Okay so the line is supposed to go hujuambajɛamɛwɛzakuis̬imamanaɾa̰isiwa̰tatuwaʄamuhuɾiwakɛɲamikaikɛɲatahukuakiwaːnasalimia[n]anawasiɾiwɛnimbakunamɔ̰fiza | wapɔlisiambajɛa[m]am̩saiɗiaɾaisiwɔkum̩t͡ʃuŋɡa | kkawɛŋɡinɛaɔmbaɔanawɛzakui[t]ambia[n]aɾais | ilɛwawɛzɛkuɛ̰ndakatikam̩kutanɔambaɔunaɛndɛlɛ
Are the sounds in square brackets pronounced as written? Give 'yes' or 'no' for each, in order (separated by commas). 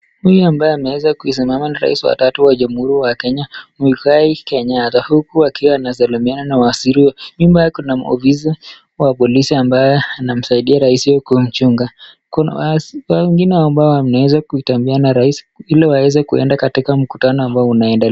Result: yes, no, yes, yes